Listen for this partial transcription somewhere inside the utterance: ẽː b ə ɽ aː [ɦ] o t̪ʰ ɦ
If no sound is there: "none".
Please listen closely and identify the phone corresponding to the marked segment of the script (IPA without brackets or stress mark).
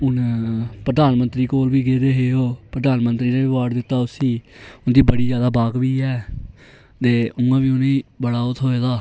none